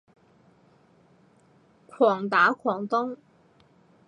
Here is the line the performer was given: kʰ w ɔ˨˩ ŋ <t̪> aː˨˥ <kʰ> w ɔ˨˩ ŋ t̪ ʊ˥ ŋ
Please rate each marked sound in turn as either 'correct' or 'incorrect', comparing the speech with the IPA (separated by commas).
correct, correct